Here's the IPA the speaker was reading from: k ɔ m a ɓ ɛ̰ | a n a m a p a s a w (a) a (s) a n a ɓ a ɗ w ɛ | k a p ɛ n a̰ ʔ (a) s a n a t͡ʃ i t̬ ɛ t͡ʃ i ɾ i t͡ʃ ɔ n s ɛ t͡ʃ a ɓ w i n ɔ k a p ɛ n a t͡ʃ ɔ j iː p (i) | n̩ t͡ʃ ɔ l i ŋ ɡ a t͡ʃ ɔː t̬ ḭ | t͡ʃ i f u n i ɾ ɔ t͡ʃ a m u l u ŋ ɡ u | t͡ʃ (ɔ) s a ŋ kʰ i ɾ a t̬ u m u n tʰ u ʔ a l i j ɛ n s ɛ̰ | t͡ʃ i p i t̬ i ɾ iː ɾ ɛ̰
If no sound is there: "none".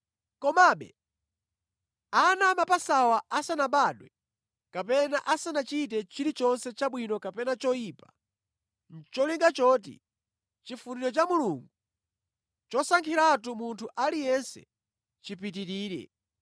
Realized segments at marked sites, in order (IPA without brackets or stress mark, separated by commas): a, s, a, a, ɔ